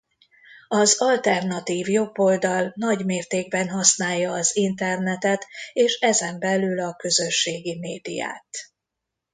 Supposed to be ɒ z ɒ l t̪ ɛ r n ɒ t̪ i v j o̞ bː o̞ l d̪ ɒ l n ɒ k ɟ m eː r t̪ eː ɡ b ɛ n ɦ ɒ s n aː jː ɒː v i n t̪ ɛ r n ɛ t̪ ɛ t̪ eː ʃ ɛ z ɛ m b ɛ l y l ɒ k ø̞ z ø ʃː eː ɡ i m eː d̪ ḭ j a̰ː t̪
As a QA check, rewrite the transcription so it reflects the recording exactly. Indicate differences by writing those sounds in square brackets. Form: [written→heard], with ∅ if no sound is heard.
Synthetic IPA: ɒ z ɒ l t̪ ɛ r n ɒ t̪ [i→iː] v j o̞ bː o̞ l d̪ ɒ l n ɒ [k→∅] ɟ m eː r t̪ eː ɡ b ɛ n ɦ ɒ s n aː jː ɒː [v→z] i n t̪ ɛ r n ɛ t̪ ɛ t̪ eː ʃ ɛ z ɛ m b ɛ l y l ɒ k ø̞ z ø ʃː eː ɡ i m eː d̪ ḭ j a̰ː t̪